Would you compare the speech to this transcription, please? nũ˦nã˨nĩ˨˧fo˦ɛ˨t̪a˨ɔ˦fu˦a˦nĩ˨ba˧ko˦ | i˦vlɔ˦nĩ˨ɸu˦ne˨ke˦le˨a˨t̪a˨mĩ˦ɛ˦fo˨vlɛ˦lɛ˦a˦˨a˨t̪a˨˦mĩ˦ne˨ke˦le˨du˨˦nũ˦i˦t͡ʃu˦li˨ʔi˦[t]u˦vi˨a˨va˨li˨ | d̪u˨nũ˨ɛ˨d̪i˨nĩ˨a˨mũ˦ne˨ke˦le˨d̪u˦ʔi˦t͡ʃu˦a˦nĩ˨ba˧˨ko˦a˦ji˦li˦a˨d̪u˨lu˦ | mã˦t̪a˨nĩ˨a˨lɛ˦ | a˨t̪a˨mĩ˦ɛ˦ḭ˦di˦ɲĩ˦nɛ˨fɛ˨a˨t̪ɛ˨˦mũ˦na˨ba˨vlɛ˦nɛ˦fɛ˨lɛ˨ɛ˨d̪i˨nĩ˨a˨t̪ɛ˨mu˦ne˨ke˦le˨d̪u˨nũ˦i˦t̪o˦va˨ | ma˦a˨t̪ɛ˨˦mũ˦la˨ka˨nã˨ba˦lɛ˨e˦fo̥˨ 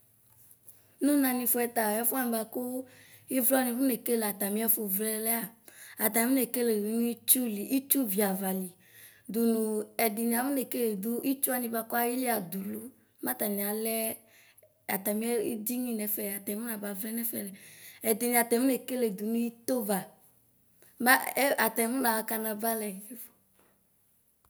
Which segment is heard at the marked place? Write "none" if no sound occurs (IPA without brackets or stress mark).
t͡ʃ